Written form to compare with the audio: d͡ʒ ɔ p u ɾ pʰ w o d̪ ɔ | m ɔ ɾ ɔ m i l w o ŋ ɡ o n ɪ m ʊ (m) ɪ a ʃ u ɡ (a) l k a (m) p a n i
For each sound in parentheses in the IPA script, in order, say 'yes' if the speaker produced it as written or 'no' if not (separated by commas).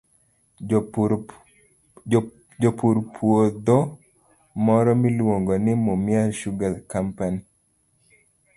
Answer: yes, yes, yes